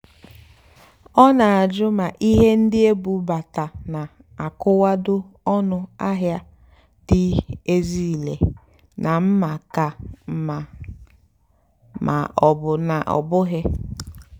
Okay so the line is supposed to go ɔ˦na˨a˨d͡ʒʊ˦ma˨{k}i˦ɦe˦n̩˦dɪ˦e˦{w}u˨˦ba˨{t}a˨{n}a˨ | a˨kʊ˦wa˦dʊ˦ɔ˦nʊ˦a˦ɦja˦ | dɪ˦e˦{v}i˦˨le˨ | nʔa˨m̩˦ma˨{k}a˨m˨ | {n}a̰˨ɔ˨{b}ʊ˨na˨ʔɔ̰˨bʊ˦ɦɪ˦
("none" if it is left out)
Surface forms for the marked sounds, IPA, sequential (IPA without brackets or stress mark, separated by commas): ʔ, b, t, n, z, k, m, b